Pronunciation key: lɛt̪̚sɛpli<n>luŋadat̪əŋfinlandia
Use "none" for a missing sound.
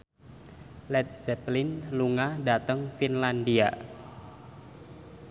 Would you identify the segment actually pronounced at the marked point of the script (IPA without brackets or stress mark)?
n